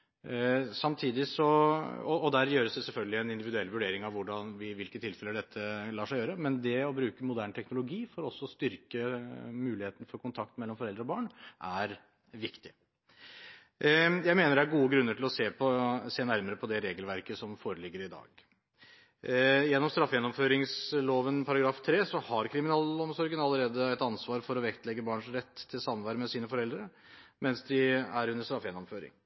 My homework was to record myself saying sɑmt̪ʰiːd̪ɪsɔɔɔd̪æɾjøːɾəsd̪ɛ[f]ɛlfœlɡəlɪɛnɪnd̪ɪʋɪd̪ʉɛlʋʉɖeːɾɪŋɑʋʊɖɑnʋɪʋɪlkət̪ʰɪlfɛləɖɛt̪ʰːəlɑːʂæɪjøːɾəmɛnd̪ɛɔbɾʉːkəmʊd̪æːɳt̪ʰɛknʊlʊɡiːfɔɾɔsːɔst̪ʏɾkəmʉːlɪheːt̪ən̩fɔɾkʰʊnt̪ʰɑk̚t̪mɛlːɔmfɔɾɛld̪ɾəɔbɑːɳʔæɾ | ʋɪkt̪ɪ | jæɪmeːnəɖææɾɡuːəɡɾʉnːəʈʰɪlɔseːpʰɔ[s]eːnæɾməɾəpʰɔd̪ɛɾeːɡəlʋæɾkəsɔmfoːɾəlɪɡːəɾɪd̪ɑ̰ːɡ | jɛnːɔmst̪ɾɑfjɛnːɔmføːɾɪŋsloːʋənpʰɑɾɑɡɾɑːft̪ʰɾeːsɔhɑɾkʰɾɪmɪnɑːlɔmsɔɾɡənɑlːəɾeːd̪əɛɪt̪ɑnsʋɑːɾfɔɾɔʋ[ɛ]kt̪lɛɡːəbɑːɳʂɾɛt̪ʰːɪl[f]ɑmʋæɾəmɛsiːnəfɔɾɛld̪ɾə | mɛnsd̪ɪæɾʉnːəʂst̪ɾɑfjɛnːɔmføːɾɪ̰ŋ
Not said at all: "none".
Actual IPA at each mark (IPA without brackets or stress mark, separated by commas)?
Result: s, s, ɛ, s